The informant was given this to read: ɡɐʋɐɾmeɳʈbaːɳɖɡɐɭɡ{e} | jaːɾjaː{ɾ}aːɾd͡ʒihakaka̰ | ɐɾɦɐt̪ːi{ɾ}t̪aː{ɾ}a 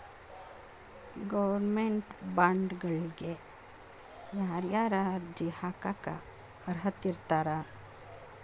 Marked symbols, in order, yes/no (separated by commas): yes, yes, yes, yes